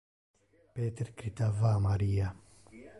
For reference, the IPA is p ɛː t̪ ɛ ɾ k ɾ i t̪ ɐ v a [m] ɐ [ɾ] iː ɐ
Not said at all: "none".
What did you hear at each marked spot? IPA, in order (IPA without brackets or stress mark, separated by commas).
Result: m, ɾ